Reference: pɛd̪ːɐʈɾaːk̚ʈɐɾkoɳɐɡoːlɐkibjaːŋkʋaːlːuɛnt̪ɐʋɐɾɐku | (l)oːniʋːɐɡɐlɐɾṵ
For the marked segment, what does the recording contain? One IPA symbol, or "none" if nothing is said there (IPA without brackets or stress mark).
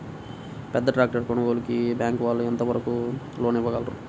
l